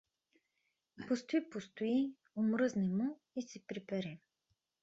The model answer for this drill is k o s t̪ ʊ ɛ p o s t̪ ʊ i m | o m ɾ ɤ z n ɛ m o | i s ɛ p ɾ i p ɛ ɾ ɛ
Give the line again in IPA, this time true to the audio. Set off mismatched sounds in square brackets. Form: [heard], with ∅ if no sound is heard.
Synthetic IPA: [p] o s t̪ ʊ [i] p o s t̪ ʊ i [∅] | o m ɾ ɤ z n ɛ m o | i s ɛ p ɾ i p ɛ ɾ ɛ